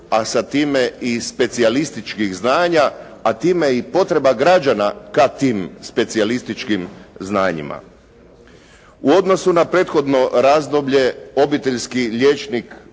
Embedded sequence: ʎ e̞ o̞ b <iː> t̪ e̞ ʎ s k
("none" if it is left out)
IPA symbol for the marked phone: i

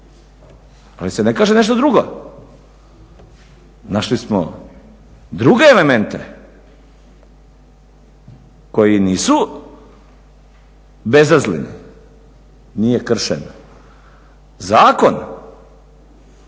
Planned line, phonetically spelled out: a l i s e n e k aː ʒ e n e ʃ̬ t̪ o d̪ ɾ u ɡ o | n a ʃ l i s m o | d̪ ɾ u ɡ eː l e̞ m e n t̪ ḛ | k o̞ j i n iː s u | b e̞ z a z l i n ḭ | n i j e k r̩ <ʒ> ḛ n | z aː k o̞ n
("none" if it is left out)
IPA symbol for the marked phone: ʃ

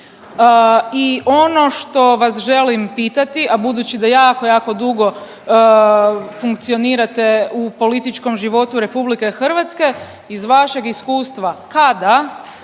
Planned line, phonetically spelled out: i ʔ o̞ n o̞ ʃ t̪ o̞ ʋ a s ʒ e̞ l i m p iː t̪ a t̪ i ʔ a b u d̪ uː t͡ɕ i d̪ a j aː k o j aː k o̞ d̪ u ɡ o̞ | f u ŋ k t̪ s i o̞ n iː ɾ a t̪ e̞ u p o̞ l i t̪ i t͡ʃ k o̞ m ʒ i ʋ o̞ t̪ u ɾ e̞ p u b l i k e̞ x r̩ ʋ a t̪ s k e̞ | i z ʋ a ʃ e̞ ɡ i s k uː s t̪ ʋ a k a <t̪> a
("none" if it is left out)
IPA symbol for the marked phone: d̪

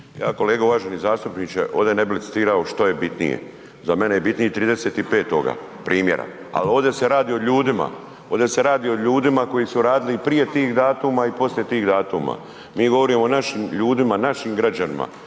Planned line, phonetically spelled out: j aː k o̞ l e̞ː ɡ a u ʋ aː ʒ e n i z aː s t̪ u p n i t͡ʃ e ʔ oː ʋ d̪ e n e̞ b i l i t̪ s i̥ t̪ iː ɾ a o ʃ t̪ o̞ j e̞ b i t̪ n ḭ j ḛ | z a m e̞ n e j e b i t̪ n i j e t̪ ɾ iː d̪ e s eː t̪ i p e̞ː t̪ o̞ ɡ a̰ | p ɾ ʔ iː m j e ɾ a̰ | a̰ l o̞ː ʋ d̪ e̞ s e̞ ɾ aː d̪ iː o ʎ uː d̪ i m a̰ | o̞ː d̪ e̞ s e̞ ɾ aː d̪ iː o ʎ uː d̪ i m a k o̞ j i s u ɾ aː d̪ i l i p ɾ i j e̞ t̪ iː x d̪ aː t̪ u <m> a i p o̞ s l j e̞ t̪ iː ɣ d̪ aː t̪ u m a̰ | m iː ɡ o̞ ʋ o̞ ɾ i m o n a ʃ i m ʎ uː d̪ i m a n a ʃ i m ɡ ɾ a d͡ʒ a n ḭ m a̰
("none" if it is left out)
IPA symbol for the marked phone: m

